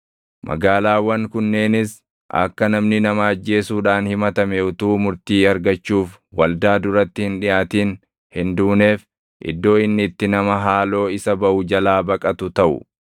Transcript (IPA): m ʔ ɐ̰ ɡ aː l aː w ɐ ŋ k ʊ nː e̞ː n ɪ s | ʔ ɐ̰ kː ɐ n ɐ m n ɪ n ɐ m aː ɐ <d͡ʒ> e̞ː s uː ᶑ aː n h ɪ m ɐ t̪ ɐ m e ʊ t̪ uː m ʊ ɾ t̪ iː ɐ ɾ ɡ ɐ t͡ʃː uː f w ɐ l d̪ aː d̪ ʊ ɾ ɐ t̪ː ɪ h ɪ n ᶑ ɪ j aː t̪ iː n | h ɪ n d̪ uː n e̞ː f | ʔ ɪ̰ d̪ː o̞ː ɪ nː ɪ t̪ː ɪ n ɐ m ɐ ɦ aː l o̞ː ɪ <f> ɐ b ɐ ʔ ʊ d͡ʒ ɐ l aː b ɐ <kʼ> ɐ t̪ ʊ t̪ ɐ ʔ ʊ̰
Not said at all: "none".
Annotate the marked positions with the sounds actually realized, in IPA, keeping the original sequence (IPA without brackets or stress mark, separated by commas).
d͡ʒː, s, kʼ